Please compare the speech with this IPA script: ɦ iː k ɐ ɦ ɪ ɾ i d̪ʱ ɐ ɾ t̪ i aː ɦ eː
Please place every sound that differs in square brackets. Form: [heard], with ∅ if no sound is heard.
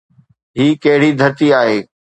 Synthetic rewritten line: ɦ iː k ɐ ɦ ɪ [ɽ] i d̪ʱ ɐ ɾ t̪ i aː ɦ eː